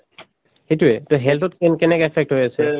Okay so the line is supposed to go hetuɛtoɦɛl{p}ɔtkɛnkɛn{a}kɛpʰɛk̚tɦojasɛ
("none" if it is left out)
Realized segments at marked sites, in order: t, ɛ

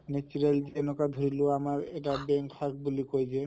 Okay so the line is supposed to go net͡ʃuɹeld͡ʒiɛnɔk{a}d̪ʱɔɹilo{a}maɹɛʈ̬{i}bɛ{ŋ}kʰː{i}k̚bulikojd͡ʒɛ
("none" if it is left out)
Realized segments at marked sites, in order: a, a, a, ŋ, a

